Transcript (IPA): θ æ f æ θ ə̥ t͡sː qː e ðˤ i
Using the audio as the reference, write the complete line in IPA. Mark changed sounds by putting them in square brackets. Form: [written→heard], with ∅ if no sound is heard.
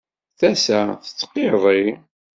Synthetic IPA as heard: θ æ [f→s] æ θ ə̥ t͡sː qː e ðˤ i

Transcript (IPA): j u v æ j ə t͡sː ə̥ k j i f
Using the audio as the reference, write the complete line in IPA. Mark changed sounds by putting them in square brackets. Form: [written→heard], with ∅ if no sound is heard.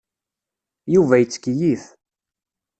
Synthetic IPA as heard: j u v æ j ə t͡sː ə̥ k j i [f→θ]

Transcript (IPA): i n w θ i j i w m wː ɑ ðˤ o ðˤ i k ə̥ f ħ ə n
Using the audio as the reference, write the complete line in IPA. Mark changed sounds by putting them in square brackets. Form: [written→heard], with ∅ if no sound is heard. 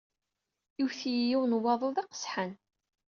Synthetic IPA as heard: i [n→∅] w θ i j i w [m→n] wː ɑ ðˤ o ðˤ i [k→q] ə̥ [f→s] ħ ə n

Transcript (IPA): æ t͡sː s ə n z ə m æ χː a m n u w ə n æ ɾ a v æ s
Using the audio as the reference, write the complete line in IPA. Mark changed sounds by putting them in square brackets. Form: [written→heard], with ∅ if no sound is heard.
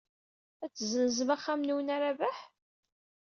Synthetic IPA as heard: æ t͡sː [s→z] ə n z ə m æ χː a m n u w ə n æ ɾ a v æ [s→ħ]

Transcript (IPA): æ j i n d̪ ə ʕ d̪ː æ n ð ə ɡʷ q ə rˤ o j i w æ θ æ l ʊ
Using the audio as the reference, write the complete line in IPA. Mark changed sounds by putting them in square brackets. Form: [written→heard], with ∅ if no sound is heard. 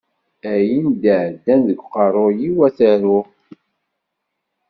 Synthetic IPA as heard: æ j i n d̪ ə ʕ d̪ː æ n ð ə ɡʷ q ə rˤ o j i w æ θ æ [l→ɾ] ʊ

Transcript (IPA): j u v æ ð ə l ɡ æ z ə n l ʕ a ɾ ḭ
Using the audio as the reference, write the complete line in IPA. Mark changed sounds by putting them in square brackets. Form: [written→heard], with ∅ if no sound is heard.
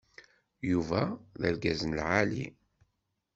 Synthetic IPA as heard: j u v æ ð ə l ɡ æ z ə n l ʕ a [ɾ→l] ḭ

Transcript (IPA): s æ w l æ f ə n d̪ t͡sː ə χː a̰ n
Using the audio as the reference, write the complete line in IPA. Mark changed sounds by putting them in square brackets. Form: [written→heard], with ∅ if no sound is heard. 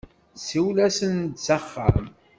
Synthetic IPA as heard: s [æ→i] w l æ [f→s] ə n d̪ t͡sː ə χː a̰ [n→m]

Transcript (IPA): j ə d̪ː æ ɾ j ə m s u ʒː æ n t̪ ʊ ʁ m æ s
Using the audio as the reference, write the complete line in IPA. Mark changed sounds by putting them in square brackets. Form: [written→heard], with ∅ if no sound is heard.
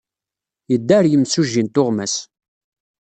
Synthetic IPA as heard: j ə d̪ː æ ɾ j ə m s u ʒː [æ→i] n t̪ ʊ ʁ m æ s

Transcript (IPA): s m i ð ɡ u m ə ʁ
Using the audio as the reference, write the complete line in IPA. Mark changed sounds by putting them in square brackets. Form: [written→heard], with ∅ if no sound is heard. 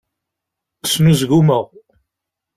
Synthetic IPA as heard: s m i [ð→z] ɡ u m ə ʁ

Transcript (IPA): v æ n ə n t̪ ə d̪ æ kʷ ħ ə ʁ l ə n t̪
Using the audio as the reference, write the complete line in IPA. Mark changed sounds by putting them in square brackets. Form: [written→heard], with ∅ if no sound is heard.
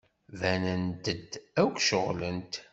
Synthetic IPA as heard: v æ n ə n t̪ ə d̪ æ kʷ [ħ→ʃ] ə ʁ l ə n t̪

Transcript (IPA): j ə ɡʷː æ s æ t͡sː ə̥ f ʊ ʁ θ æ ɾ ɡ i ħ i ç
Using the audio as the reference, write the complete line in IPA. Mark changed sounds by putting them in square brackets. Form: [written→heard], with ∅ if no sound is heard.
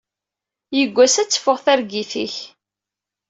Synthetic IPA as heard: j ə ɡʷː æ s æ t͡sː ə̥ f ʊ ʁ θ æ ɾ ɡ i [ħ→θ] i ç

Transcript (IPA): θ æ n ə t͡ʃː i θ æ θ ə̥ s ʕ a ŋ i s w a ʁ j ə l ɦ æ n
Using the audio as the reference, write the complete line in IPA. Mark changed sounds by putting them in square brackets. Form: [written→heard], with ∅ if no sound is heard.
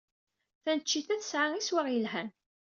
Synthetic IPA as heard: θ æ n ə t͡ʃː i θ æ θ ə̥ s ʕ a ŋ i s w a ʁ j ə l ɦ æ n

